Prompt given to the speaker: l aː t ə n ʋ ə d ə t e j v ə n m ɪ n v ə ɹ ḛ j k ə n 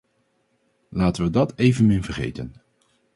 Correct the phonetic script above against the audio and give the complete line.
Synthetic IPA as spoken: l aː t ə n ʋ ə d ɑ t e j v ə n m ɪ n v ə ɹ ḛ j t ə n